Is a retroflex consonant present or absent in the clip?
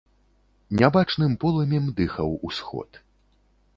present